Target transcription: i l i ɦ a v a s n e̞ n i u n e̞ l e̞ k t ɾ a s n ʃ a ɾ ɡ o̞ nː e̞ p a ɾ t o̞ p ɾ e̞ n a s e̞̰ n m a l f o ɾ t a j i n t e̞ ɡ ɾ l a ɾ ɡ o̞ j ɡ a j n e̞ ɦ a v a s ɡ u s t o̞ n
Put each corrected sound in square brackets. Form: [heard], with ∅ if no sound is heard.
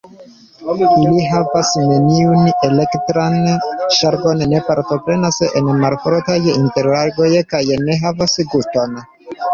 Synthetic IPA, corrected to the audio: i l i ɦ a v a s n e̞ n i u n e̞ l e̞ k t ɾ a [∅] n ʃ a ɾ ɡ o̞ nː e̞ p a ɾ t o̞ p ɾ e̞ n a s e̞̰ n m a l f o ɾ t a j i n t e̞ [∅] ɾ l a ɾ ɡ o̞ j [k] a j n e̞ ɦ a v a s ɡ u s t o̞ n

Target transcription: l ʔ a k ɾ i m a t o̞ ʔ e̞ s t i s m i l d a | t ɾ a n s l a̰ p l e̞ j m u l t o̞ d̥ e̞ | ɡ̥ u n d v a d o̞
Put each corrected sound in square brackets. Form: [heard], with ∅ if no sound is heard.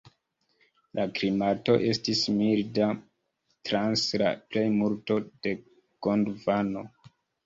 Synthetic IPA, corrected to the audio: l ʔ a k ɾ i m a t o̞ ʔ e̞ s t i s m i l d a | t ɾ a n s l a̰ p l e̞ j m u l t o̞ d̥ e̞ | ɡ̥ [o] n d v a [n] o̞

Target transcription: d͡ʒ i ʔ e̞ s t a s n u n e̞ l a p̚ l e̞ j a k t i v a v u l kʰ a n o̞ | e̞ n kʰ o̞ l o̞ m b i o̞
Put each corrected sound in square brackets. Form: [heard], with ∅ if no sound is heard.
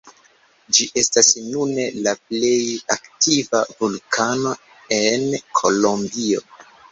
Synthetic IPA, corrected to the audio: d͡ʒ i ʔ e̞ s t a s n u n e̞ l a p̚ l e̞ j a k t i v a v u l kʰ a n o̞ | e̞ n kʰ o̞ l o̞ m b i o̞

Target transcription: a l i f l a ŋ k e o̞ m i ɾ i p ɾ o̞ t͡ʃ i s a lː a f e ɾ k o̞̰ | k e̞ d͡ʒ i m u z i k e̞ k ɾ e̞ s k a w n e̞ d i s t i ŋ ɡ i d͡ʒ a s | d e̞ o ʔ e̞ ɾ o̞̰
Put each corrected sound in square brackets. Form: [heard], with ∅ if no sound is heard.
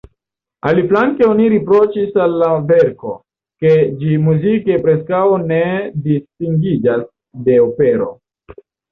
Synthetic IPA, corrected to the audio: a l i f l a ŋ k e o̞ [n] i ɾ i p ɾ o̞ t͡ʃ i s a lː a [v] e ɾ k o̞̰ | k e̞ d͡ʒ i m u z i k e̞ [p] ɾ e̞ s k a w n e̞ d i s t i ŋ ɡ i d͡ʒ a s | d e̞ o [p] e̞ ɾ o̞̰

